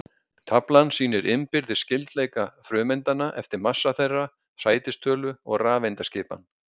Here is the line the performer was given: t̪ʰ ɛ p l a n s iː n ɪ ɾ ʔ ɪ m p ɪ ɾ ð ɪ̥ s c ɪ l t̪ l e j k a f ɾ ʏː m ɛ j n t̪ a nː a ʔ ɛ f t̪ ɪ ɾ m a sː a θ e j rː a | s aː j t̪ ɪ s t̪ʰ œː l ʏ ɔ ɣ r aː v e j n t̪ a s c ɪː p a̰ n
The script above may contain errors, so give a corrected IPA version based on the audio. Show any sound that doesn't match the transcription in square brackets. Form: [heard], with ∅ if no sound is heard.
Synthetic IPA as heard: t̪ʰ [a] p l a n s iː n ɪ ɾ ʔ ɪ m p ɪ ɾ ð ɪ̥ s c ɪ l t̪ l e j k a f ɾ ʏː m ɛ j n t̪ a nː a ʔ ɛ f t̪ ɪ ɾ m a sː a θ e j rː a | s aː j t̪ ɪ s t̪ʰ œː l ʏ ɔ ɣ r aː v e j n t̪ a s c ɪː p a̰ n